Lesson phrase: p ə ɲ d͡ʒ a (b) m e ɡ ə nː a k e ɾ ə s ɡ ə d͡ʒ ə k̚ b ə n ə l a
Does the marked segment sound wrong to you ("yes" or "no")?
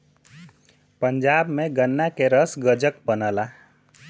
no